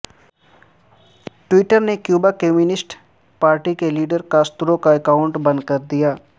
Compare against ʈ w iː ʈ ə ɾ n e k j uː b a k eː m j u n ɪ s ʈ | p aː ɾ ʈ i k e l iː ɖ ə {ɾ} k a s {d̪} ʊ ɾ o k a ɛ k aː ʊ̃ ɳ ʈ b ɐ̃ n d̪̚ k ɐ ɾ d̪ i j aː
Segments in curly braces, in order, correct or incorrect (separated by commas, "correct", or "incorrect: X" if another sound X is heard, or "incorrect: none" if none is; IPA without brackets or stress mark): correct, incorrect: t̪